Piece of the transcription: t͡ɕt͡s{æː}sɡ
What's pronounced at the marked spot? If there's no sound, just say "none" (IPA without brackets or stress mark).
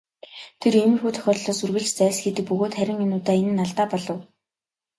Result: æː